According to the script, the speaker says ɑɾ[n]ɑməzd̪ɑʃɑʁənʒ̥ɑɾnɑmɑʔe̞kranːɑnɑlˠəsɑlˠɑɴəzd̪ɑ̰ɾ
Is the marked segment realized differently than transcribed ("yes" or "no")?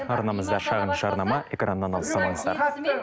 no